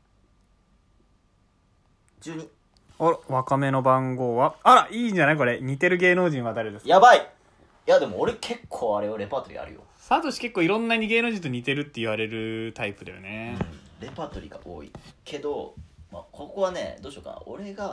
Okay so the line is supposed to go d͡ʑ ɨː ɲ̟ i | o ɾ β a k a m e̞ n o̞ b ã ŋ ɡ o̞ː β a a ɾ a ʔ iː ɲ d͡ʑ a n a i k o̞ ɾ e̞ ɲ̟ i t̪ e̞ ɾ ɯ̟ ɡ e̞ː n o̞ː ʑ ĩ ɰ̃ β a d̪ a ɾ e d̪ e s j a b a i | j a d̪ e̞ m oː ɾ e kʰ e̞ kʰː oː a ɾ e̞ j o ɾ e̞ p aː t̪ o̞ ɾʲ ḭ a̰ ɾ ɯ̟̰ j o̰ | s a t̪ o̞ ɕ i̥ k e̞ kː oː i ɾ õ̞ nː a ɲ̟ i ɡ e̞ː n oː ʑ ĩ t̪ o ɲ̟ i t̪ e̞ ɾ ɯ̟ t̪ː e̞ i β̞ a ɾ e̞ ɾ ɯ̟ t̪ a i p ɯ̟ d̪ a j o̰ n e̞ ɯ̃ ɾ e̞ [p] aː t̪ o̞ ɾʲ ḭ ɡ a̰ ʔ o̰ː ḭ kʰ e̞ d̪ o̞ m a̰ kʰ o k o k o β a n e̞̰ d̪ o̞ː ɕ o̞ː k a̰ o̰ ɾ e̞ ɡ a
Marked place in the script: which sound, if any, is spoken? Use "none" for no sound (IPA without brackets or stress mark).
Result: p